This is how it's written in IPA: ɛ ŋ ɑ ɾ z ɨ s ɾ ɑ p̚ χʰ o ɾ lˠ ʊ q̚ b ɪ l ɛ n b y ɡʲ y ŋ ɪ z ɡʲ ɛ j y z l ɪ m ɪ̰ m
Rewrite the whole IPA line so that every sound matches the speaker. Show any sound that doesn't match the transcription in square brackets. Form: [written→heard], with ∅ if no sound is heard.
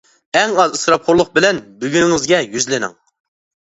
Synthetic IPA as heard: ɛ ŋ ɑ [ɾ→∅] z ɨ s ɾ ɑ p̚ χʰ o ɾ lˠ ʊ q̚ b ɪ l ɛ n b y ɡʲ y ŋ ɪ z ɡʲ ɛ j y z l ɪ [m→n] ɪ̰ [m→ŋ]